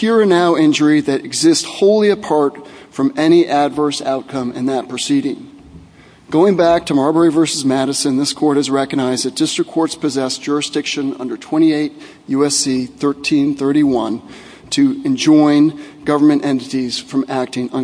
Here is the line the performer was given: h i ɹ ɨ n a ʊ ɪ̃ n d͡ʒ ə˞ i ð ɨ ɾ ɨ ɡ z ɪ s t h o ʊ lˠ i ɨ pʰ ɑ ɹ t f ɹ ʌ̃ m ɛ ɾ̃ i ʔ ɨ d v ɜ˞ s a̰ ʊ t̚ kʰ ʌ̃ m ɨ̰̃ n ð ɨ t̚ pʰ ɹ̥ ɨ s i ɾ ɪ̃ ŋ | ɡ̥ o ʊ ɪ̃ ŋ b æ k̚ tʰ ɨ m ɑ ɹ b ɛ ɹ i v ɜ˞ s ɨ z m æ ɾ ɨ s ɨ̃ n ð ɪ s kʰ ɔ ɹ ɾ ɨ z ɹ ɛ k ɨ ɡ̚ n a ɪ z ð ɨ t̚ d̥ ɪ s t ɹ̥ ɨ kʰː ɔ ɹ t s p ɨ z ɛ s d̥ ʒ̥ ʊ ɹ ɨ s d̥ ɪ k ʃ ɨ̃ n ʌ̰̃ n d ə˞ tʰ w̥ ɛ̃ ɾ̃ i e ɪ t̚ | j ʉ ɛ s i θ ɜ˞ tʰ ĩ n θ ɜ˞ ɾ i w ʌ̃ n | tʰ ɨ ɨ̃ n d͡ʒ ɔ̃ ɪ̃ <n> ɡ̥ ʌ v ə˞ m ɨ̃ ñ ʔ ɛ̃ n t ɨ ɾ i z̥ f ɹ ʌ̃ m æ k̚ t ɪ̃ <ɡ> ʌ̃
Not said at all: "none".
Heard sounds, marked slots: n, ŋ

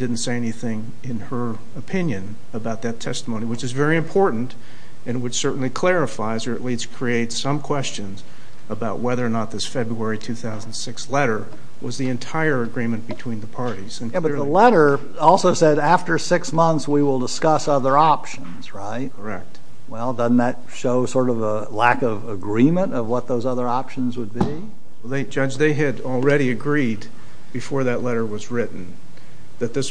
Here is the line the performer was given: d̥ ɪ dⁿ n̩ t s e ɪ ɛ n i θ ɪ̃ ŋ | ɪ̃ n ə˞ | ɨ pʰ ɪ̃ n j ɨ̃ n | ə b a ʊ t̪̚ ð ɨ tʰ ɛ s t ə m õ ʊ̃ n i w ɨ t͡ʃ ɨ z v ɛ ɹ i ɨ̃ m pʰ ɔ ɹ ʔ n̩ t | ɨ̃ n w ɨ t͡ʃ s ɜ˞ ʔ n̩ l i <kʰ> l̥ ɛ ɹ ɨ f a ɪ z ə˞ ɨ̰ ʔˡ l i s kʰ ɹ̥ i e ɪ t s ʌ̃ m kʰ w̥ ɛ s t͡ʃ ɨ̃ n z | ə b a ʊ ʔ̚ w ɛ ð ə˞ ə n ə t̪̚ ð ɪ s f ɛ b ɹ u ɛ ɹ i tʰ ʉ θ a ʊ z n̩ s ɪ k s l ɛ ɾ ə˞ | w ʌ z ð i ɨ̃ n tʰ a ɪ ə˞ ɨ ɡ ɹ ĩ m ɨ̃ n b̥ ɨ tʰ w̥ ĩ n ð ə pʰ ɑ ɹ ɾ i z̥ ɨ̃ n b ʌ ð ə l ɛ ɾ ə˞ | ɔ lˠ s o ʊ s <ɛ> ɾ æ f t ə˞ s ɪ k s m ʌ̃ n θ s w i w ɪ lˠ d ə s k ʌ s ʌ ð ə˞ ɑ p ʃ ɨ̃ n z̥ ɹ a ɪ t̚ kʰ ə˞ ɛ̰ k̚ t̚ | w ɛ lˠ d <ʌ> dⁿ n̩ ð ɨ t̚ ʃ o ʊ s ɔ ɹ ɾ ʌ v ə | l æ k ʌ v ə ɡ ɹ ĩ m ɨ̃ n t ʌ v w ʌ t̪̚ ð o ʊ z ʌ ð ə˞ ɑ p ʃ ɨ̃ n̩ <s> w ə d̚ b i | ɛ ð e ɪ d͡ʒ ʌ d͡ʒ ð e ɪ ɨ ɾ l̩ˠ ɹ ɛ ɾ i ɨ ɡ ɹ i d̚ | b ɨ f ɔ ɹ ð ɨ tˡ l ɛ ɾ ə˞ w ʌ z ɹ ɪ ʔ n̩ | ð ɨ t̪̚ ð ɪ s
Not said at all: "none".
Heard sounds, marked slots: kʰ, ɛ, ʌ, z

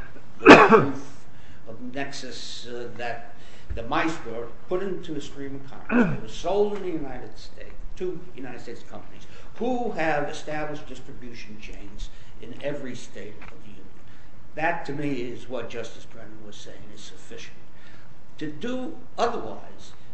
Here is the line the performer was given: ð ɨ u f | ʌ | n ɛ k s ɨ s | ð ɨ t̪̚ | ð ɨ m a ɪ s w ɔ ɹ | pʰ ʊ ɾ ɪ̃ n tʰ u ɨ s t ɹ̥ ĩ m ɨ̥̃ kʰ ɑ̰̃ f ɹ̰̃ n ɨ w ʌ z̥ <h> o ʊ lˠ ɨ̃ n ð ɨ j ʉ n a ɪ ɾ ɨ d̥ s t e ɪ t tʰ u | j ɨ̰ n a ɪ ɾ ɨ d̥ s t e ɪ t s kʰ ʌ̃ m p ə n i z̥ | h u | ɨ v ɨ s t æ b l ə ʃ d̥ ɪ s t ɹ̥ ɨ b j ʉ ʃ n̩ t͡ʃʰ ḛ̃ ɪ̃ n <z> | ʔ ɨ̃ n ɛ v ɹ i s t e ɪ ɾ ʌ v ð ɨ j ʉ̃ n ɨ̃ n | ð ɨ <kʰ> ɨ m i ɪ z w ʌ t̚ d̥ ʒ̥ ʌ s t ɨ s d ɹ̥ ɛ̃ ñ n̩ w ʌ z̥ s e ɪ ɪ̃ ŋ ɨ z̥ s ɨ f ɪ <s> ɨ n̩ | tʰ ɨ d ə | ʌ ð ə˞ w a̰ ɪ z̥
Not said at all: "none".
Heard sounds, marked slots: s, z, tʰ, ʃ

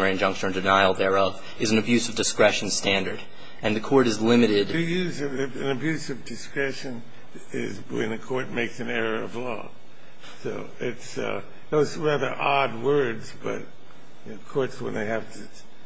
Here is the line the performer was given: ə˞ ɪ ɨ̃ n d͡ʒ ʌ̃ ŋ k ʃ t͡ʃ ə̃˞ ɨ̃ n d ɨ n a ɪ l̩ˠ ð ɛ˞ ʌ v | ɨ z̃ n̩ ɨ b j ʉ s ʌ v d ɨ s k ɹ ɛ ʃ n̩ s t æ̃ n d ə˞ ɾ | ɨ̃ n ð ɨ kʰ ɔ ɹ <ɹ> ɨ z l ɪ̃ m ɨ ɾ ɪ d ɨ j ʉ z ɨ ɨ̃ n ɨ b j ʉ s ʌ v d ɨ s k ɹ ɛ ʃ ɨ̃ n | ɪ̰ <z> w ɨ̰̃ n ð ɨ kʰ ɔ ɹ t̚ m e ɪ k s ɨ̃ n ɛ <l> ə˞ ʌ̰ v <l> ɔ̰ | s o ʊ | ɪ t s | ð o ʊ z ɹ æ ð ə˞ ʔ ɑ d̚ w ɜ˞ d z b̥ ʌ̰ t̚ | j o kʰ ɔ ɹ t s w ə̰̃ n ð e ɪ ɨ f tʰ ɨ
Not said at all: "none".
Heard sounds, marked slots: ɾ, z, ɹ, l

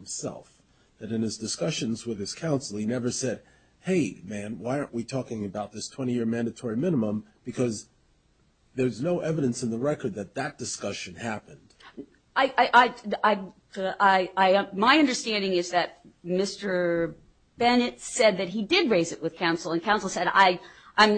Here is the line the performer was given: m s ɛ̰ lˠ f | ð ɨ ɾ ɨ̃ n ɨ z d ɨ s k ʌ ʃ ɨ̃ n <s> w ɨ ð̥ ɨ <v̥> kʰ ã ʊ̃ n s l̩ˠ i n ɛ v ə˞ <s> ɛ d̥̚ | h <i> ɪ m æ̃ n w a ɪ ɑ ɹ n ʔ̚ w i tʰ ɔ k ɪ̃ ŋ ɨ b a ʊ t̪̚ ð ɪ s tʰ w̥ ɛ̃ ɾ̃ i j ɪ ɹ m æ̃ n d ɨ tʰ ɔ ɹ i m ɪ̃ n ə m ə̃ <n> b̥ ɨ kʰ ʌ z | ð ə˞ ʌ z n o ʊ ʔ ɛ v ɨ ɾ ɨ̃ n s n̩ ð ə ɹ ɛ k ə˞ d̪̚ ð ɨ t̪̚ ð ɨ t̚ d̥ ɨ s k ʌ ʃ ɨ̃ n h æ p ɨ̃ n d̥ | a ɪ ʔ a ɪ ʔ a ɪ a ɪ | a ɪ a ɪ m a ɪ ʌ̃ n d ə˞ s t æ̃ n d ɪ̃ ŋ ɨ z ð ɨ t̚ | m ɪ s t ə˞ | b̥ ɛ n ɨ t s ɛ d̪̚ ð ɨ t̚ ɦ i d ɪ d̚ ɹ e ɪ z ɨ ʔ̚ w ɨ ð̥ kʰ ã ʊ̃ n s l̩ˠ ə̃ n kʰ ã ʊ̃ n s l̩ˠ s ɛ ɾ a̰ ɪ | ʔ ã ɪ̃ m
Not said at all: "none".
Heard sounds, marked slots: z, z̥, s, e, m

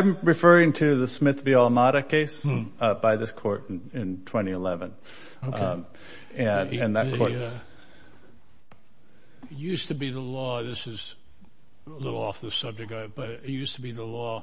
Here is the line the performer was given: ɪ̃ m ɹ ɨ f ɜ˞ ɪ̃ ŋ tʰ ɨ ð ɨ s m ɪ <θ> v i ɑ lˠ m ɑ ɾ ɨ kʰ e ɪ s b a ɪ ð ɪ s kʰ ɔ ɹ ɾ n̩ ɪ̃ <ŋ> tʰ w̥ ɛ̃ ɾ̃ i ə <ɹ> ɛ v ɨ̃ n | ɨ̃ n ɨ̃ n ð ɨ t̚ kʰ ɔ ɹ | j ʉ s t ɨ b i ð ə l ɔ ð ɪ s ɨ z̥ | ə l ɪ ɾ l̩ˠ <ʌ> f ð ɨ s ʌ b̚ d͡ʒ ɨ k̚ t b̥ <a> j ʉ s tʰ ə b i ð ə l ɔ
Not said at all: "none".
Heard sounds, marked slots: θ, n, l, ɔ, ʌ

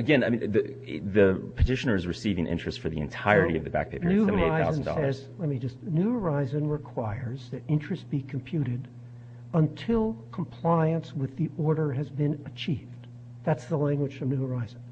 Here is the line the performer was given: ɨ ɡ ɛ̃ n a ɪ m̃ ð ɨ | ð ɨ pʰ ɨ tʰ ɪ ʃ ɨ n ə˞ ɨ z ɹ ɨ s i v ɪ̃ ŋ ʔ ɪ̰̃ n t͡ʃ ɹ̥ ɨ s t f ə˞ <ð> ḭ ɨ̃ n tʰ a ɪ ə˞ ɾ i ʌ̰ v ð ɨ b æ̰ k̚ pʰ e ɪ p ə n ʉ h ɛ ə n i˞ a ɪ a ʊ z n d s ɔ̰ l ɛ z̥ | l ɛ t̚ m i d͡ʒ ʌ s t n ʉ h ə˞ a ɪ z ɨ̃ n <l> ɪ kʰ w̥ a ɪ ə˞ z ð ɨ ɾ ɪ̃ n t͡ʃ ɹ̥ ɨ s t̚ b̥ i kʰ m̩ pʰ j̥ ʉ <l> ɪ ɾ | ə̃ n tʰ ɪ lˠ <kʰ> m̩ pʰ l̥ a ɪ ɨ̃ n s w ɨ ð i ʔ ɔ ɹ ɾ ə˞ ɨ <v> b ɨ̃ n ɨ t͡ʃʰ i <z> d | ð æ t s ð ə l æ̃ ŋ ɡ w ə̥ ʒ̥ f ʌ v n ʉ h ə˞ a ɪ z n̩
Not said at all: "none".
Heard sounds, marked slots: ð, ɹ, ɾ, kʰ, z, v

